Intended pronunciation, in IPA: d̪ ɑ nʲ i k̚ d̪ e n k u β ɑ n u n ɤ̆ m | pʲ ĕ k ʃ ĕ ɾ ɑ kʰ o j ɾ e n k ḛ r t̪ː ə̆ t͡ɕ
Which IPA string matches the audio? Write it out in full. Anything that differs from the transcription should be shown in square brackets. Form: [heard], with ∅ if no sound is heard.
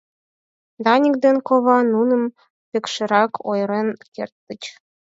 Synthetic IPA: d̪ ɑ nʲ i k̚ d̪ e n k [o] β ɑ n u n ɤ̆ m | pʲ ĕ k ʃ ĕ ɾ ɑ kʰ o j ɾ e n k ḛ r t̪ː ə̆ t͡ɕ